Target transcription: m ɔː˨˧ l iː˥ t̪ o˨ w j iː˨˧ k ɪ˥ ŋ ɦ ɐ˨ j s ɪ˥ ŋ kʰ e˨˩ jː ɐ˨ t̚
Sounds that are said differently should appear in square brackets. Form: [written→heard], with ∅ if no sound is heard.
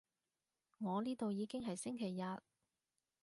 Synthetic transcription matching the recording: [m→ŋ] ɔː˨˧ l iː˥ t̪ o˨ w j iː˨˧ k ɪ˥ ŋ ɦ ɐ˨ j s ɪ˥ ŋ kʰ e˨˩ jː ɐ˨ t̚